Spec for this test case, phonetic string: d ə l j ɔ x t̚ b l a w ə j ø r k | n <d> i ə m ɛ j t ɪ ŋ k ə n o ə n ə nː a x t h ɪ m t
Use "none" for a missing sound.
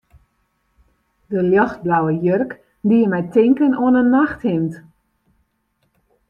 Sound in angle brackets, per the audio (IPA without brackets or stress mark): d